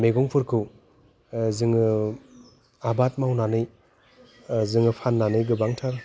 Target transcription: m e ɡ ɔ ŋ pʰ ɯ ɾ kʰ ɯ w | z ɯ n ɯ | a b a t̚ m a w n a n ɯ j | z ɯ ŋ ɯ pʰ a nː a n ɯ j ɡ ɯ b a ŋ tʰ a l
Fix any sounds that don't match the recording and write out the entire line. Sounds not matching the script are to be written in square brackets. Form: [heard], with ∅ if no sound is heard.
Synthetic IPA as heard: m e ɡ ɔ ŋ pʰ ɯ ɾ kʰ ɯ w | z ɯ [ŋ] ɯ | a b a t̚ m a w n a n ɯ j | z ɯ ŋ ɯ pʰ a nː a n ɯ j ɡ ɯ b a ŋ tʰ a [ɾ]